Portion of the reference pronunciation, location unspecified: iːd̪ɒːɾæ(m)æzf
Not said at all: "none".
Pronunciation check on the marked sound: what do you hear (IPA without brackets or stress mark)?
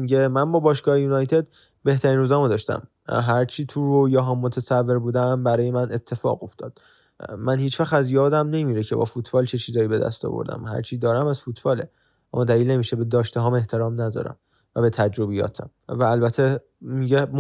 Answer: m